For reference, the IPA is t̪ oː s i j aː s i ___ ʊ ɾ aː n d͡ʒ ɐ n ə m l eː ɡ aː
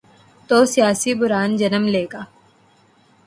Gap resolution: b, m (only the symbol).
b